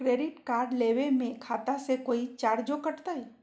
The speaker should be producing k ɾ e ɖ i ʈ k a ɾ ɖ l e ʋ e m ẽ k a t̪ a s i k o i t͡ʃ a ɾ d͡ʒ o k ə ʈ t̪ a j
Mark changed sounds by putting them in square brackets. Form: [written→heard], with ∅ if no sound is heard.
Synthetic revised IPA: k ɾ e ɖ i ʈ k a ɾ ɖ l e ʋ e m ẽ [k→kʰ] a t̪ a s [i→e] k o i t͡ʃ a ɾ d͡ʒ o k ə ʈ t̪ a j